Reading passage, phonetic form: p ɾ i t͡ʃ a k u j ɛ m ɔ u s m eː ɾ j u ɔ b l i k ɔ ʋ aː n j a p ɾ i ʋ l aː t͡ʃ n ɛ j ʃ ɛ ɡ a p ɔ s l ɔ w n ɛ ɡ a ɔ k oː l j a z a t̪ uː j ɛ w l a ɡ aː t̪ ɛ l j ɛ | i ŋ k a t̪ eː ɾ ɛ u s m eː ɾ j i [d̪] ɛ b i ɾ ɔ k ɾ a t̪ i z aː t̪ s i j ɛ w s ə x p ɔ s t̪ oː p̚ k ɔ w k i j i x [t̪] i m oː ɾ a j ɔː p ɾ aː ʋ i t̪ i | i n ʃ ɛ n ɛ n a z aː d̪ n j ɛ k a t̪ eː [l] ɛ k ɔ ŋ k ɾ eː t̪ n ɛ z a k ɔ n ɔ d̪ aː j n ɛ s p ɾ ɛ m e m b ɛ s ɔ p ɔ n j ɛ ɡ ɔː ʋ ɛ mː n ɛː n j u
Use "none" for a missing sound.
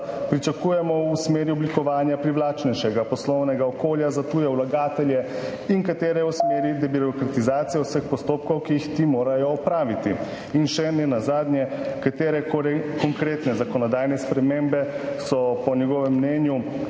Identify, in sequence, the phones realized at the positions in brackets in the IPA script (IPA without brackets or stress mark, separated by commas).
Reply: d̪, t̪, ɾ